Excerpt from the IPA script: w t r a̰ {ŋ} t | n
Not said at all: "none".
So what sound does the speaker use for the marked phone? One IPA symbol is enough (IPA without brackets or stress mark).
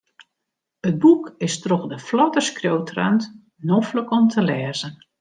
n